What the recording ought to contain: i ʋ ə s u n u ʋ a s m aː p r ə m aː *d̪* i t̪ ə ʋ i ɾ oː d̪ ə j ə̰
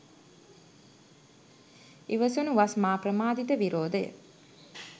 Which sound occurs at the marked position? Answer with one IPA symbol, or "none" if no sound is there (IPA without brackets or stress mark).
d̪